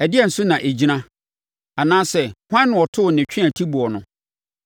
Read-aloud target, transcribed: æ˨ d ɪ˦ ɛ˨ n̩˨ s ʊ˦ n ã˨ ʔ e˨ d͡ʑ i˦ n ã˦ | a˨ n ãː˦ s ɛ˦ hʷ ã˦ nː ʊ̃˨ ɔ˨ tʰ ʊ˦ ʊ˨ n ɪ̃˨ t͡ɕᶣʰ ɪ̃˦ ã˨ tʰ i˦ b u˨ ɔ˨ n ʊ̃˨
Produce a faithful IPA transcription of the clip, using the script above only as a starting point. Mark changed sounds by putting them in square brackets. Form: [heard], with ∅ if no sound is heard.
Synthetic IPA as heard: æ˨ d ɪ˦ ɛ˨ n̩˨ s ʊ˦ n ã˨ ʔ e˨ d͡ʑ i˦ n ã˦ | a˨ n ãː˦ s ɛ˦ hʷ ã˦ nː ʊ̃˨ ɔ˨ tʰ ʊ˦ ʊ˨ n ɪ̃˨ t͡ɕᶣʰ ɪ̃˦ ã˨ tʰ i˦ b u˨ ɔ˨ n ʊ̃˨